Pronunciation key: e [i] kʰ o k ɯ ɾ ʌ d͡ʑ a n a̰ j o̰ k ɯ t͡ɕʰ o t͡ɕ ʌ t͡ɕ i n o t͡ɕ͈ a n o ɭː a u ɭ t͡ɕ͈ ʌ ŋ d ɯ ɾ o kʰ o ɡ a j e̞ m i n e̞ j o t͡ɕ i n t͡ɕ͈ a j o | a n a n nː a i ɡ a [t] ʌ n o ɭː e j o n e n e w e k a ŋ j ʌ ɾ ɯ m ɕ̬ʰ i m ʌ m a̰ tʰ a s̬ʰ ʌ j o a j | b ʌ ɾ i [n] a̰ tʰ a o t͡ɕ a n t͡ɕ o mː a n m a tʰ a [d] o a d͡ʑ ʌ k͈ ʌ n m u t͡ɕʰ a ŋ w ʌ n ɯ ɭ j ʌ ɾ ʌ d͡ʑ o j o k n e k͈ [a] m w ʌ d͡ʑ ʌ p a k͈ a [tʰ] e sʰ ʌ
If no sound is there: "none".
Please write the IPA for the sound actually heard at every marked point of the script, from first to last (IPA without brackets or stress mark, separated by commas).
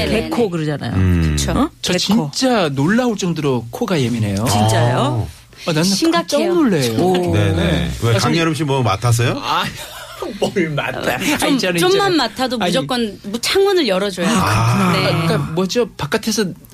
e, t͡ɕ͈, m, d, a, tʰ